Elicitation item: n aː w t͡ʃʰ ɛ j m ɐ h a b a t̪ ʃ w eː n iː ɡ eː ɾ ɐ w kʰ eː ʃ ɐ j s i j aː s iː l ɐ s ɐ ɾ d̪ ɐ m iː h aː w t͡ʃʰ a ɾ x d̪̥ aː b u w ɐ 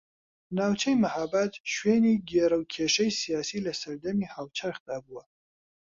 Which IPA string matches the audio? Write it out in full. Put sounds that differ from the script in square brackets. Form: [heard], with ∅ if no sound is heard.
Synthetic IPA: n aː w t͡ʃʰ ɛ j m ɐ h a b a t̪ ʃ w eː n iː ɡ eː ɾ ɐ w kʰ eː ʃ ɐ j s i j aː s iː l ɐ s ɐ ɾ d̪ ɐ m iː h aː w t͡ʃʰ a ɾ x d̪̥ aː b u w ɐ